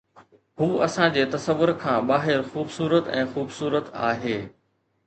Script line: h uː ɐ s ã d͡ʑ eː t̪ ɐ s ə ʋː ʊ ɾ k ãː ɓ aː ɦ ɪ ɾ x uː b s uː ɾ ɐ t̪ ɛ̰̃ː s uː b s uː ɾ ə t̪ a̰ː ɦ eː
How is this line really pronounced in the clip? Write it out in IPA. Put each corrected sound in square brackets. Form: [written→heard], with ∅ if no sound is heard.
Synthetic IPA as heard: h uː ɐ s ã d͡ʑ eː t̪ ɐ s ə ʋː ʊ ɾ [k→kʰ] ãː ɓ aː ɦ ɪ ɾ x uː b s uː ɾ [ɐ→ə] t̪ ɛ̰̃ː [s→x] uː b s uː ɾ ə t̪ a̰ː ɦ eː